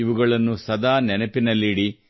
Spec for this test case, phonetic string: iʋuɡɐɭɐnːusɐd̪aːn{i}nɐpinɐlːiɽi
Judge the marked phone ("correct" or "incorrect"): incorrect